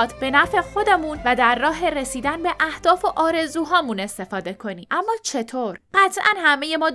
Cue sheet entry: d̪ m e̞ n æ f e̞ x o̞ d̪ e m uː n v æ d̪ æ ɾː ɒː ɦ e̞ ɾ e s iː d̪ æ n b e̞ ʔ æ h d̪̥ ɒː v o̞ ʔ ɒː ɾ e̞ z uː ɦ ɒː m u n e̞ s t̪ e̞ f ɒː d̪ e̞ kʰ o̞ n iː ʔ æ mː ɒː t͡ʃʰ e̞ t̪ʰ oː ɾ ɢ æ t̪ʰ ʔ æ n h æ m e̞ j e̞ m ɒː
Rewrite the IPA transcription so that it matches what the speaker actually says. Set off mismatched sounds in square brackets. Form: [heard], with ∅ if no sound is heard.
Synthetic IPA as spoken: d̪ [b] e̞ n æ f e̞ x o̞ d̪ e m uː n v æ d̪ æ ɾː ɒː ɦ e̞ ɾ e s iː d̪ æ n b e̞ ʔ æ h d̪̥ ɒː [f] o̞ ʔ ɒː ɾ e̞ z uː ɦ ɒː m u n e̞ s t̪ e̞ f ɒː d̪ e̞ kʰ o̞ n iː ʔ æ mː ɒː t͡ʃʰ e̞ t̪ʰ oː ɾ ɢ æ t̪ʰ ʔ æ n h æ m e̞ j e̞ m ɒː